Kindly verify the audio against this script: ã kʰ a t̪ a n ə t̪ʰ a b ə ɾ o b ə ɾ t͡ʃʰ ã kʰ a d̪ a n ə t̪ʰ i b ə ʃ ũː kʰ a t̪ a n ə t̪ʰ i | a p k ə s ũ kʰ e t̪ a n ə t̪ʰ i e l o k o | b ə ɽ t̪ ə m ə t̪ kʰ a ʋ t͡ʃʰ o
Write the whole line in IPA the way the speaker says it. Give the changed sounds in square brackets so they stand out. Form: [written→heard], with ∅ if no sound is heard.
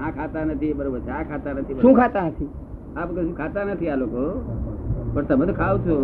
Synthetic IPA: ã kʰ a t̪ a n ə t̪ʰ [a→i] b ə ɾ o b ə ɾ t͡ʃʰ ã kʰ a [d̪→t̪] a n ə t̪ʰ i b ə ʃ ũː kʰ a t̪ a n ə t̪ʰ i | a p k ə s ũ kʰ [e→a] t̪ a n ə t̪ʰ i [e→a] l o k o | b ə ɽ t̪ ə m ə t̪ kʰ a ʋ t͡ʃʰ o